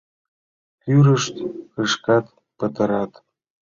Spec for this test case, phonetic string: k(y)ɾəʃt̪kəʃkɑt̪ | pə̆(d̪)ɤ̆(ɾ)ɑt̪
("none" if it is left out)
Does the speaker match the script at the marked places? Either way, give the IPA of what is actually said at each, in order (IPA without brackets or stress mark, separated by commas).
y, t̪, ɾ